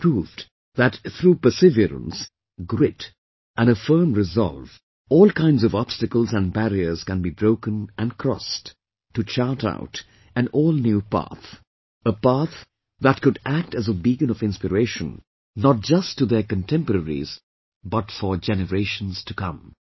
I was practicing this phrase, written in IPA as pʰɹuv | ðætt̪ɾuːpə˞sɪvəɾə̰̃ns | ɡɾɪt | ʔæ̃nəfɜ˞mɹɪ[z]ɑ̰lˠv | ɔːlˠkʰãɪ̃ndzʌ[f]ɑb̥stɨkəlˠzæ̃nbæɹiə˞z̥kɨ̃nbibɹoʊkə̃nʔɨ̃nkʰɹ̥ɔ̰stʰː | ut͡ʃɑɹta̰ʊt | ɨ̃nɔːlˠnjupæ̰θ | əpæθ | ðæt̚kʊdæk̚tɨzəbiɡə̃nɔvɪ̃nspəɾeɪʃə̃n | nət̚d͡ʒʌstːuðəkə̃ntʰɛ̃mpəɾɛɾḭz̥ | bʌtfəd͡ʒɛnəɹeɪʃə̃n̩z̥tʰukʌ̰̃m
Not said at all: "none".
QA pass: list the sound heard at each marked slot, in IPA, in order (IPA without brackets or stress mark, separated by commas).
z, v